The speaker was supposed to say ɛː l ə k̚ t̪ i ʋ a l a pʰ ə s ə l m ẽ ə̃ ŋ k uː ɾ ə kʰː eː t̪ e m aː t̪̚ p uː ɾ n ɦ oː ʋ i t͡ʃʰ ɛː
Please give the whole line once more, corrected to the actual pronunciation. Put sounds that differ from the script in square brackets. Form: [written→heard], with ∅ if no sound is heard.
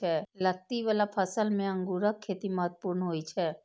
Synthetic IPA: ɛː l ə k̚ t̪ i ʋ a l a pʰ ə s ə l m ẽ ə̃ ŋ [k→ɡ] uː ɾ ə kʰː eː t̪ [e→i] m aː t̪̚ p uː ɾ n ɦ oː [ʋ→∅] i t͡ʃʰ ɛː